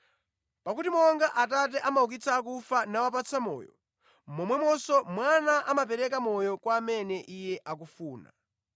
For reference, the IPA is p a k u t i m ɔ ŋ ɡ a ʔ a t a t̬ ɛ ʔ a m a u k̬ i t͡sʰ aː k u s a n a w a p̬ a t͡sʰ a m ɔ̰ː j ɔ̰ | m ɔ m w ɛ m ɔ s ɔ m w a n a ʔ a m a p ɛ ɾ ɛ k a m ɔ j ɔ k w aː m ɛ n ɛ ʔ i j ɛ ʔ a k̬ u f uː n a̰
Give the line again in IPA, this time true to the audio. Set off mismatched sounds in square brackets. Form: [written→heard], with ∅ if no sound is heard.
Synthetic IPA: p a k u t i m ɔ ŋ ɡ a ʔ a t a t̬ ɛ ʔ a m a u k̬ i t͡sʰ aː k u [s→f] a n a w a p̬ a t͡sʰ a m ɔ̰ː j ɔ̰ | m ɔ m w ɛ m ɔ s ɔ m w a n a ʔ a m a p ɛ ɾ ɛ k a m ɔ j ɔ k w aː m ɛ n ɛ ʔ i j ɛ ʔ a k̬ u f uː n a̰